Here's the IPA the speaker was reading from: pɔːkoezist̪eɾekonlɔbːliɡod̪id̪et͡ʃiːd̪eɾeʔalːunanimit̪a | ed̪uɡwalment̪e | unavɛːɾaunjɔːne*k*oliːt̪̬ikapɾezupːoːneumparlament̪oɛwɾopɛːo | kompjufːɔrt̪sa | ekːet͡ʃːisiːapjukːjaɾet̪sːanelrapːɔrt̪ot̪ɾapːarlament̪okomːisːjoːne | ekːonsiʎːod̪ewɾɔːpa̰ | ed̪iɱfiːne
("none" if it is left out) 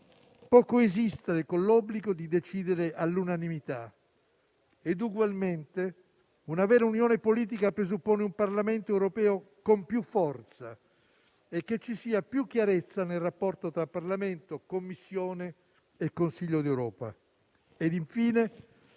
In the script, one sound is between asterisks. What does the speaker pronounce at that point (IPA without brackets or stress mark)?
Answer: p